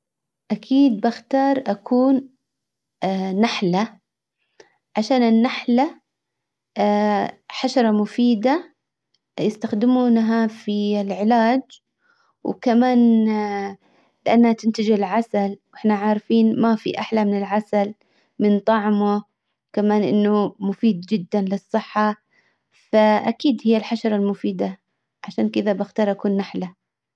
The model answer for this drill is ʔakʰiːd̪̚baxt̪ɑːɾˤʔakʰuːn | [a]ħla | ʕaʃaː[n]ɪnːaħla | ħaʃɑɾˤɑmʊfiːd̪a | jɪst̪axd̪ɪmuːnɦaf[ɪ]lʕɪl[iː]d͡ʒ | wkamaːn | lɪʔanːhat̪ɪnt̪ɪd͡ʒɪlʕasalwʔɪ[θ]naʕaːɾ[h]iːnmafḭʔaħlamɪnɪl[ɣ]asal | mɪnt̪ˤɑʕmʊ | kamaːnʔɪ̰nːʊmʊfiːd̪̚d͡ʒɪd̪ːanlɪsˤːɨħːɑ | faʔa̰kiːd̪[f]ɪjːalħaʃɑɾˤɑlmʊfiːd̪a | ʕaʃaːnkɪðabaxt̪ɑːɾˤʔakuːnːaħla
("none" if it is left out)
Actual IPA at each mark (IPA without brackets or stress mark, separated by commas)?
a, n, i, aː, ħ, f, ʕ, h